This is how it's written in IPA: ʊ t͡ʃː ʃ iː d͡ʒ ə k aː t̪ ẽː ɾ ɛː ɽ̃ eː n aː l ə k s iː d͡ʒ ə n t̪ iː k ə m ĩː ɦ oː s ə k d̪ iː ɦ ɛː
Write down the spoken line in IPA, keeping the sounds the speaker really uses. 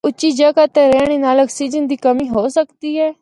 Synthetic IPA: ʊ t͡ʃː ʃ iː d͡ʒ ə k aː t̪ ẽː ɾ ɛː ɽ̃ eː n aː l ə k s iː d͡ʒ ə n d̪ iː k ə m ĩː ɦ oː s ə k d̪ iː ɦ ɛː